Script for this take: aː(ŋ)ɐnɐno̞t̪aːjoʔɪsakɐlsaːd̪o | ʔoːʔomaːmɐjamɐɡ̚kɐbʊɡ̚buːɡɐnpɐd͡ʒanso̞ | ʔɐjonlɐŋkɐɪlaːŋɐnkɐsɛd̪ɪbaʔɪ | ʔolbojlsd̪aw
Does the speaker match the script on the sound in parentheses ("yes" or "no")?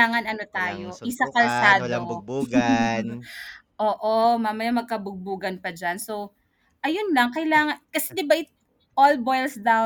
yes